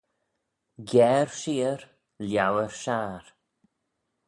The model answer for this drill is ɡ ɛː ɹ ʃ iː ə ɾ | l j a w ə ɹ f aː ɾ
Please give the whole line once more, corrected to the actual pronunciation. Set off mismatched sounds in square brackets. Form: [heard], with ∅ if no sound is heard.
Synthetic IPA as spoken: ɡ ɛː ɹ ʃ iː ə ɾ | l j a w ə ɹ [ʃ] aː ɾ